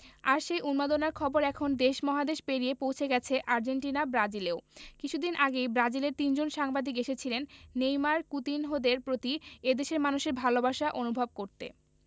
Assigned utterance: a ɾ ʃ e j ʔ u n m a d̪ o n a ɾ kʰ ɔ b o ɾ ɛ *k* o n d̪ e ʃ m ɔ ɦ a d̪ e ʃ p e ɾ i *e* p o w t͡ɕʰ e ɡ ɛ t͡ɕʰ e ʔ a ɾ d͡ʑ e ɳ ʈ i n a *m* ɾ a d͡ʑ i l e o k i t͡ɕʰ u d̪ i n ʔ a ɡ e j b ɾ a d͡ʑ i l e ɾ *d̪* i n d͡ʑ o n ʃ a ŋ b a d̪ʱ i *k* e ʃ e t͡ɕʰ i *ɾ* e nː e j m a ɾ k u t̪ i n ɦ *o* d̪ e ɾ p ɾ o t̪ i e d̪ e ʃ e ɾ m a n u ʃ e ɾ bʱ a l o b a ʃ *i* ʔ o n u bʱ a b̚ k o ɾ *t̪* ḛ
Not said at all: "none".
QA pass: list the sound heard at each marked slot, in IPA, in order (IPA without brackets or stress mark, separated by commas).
kʰ, e, b, t̪, k, l, o, a, t̪